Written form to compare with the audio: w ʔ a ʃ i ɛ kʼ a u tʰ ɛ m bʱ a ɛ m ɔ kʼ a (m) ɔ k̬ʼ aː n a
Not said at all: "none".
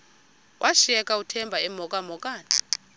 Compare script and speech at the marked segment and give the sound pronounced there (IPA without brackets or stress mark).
m